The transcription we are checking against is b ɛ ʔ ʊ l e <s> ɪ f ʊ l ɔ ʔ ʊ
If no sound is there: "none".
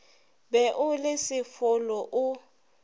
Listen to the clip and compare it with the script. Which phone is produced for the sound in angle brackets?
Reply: s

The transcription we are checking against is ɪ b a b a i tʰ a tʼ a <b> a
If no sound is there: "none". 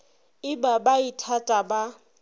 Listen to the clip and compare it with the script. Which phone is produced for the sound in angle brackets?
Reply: b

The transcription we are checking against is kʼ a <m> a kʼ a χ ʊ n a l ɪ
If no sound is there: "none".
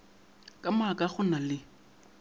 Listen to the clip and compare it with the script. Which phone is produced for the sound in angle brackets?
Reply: m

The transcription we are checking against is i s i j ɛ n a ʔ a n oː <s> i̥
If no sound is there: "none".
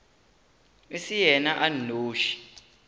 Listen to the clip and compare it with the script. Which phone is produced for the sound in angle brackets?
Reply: ʃ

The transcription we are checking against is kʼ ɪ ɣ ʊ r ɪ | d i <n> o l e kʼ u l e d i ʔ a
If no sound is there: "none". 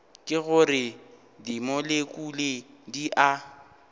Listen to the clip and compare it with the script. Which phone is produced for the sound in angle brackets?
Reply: m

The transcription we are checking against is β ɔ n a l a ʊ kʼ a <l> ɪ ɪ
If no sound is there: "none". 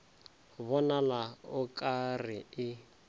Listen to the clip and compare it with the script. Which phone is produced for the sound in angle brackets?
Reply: r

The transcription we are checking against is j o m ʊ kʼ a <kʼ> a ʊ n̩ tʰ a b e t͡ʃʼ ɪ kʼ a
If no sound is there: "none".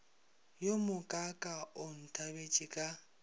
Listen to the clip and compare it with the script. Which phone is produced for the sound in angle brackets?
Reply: kʼ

